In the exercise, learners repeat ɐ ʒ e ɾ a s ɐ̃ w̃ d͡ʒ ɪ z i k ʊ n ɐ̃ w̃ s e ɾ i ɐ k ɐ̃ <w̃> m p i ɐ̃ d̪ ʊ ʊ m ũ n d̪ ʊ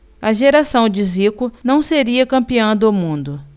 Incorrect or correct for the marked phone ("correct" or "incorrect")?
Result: incorrect